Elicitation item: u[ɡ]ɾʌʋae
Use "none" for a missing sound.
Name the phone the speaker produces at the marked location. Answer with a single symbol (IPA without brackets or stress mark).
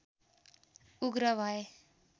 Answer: ɡ